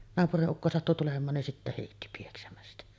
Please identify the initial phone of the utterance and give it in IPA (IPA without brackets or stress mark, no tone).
n